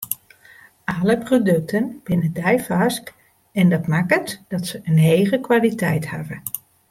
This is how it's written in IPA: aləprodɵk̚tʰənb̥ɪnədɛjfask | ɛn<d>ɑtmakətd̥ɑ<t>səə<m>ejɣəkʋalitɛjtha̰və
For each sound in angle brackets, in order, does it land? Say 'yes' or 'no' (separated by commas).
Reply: yes, yes, no